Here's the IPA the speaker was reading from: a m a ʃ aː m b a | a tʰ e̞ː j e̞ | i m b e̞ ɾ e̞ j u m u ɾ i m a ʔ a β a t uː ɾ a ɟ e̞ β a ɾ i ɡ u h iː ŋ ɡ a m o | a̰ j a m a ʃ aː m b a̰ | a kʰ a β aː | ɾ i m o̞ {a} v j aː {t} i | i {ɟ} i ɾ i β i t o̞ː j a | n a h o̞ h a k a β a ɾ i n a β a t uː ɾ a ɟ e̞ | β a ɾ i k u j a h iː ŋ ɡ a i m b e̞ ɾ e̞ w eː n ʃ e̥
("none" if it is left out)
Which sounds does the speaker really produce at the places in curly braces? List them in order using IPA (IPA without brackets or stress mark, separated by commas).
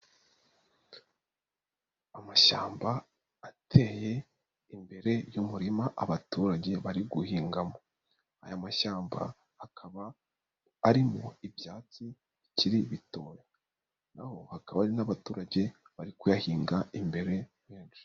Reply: i, t͡s, c